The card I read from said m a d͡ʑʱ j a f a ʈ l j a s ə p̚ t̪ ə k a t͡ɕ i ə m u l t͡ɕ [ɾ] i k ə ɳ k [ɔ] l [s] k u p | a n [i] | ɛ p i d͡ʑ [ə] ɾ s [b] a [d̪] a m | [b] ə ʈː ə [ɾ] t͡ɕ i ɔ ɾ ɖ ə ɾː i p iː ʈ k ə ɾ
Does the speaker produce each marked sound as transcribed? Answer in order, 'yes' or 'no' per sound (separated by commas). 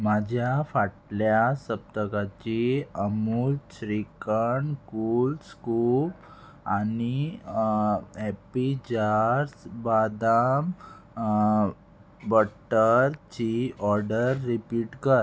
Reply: yes, no, yes, yes, no, yes, yes, yes, yes